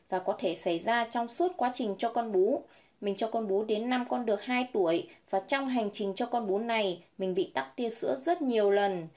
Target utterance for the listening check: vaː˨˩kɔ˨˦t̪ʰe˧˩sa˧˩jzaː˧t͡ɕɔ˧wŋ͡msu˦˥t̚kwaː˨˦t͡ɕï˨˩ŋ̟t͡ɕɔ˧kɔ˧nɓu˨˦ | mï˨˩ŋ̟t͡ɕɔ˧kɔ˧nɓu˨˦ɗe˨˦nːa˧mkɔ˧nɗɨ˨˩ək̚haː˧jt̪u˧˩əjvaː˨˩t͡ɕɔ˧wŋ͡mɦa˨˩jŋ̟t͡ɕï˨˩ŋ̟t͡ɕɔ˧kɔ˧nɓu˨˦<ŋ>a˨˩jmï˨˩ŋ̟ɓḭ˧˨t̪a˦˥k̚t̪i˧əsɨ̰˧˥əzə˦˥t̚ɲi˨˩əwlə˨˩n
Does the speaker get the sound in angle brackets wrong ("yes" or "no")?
yes